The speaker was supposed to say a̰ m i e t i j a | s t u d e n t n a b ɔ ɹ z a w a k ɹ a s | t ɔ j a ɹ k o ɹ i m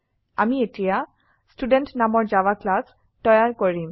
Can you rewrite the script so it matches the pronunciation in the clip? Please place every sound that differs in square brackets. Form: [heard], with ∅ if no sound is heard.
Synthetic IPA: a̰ m i e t i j a | s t u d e n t n a [m] ɔ ɹ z a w a k [l] a s | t ɔ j a ɹ k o ɹ i m